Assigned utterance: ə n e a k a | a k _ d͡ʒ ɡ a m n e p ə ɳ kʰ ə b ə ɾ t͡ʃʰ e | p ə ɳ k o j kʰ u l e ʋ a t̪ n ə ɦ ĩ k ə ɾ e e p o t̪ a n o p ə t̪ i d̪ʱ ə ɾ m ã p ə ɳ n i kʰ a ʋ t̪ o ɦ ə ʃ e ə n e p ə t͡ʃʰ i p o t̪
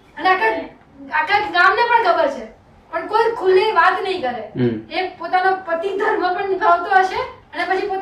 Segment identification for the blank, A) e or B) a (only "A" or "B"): B